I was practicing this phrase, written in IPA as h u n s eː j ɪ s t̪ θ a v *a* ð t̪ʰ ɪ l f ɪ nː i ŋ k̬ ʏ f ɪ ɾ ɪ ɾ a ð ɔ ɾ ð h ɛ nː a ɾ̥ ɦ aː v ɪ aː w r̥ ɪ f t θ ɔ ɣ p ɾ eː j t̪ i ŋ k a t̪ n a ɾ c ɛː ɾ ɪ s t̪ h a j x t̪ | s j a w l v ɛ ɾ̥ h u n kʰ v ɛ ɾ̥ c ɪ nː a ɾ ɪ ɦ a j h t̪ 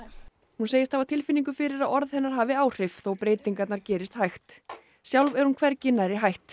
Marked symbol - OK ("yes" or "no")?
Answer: yes